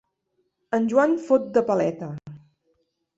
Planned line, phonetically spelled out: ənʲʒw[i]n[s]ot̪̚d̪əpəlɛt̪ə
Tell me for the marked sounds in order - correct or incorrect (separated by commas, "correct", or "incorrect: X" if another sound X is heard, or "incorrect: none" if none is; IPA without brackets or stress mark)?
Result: incorrect: a, incorrect: f